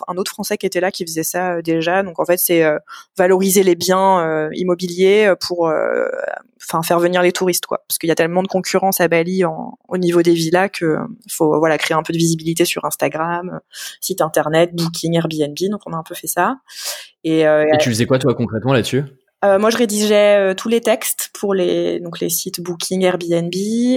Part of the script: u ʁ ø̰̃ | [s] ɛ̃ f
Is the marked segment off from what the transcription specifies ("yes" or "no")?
yes